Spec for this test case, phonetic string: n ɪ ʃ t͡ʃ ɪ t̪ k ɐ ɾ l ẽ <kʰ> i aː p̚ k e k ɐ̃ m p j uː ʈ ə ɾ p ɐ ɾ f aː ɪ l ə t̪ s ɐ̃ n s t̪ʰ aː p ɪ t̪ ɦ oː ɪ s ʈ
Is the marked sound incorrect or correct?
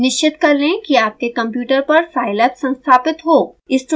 incorrect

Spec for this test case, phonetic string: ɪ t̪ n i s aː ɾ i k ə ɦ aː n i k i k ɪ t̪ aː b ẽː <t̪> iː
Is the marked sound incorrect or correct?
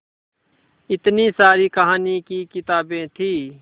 incorrect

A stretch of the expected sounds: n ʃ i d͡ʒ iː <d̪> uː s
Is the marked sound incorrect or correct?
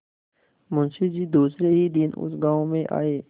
correct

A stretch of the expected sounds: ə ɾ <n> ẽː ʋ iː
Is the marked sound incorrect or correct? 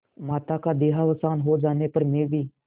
incorrect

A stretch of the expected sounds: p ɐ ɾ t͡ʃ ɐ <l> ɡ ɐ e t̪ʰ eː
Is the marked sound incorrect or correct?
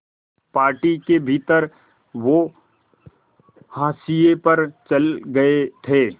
correct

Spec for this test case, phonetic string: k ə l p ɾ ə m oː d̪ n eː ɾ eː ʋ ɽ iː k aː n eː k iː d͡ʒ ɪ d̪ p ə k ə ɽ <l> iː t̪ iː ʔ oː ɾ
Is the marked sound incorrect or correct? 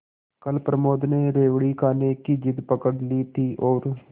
correct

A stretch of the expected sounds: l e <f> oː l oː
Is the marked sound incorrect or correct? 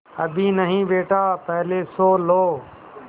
incorrect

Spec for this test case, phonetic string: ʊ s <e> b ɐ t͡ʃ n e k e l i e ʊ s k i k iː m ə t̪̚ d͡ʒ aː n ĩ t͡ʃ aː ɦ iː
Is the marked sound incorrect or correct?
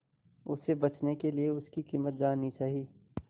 correct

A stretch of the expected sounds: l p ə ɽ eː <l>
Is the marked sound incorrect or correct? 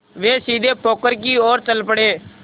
incorrect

